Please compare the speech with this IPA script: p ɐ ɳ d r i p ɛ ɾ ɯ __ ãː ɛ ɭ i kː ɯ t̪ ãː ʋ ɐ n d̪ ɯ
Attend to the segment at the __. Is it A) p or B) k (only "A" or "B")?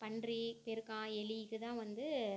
B